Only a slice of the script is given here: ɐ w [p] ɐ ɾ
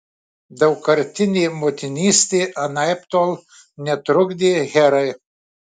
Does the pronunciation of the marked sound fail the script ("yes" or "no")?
yes